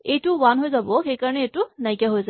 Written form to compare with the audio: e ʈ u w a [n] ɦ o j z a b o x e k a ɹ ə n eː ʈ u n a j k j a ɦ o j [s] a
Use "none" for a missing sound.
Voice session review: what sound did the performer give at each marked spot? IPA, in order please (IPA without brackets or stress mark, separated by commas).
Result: n, z